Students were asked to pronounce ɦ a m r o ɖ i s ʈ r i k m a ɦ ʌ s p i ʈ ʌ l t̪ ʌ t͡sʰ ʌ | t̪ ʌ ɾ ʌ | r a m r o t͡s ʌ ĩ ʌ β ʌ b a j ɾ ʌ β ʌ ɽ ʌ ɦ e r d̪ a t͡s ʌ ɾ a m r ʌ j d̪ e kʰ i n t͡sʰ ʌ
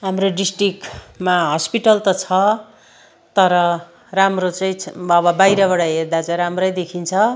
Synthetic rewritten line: ɦ a m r o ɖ i s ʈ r i k m a ɦ ʌ s p i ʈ ʌ l t̪ ʌ t͡sʰ ʌ | t̪ ʌ ɾ ʌ | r a m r o t͡s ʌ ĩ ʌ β ʌ b a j ɾ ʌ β ʌ ɽ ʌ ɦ e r d̪ a t͡s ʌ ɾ a m r ʌ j d̪ e kʰ i n t͡sʰ ʌ